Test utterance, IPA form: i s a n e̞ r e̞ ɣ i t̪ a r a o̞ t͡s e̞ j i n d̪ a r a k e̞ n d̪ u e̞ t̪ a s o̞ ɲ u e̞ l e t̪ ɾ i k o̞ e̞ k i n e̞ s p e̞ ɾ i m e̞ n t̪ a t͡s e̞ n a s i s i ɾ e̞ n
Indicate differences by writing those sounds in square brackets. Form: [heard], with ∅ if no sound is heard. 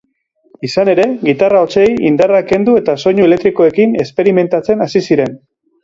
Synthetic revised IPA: i s a n e̞ [ɾ] e̞ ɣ i t̪ a r a o̞ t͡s e̞ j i n d̪ a r a k e̞ n d̪ u e̞ t̪ a s o̞ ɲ u e̞ l e t̪ ɾ i k o̞ e̞ k i n e̞ s p e̞ ɾ i m e̞ n t̪ a t͡s e̞ n a s i s i ɾ e̞ n